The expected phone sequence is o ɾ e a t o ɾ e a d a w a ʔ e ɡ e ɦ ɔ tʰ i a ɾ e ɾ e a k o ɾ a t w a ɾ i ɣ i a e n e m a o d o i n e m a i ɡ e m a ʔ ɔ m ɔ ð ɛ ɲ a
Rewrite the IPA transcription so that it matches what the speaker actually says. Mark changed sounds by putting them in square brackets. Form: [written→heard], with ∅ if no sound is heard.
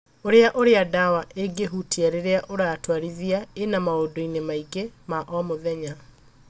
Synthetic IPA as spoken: o ɾ e a [t→ʔ] o ɾ e a d a w a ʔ e ɡ e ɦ [ɔ→u] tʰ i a ɾ e ɾ e a [k→ʔ] o ɾ a t w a ɾ i [ɣ→ð] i a e n [e→a] m a o d o i n e m a i ɡ e m a ʔ ɔ m [ɔ→o] ð ɛ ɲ a